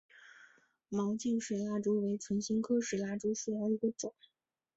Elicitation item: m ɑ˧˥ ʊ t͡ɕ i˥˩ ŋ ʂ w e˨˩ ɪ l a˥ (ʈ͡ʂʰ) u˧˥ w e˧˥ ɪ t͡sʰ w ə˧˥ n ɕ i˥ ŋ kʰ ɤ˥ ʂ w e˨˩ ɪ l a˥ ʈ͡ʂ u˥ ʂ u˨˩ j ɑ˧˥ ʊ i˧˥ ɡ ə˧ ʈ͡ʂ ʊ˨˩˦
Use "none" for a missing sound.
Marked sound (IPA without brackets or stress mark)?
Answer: ʈ͡ʂ